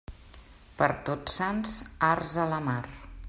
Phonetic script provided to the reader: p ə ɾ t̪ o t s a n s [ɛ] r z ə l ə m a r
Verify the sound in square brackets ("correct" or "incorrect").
incorrect